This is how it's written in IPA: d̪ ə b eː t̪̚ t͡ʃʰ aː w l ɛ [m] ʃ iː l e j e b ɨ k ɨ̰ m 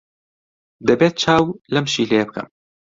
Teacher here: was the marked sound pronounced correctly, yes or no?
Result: yes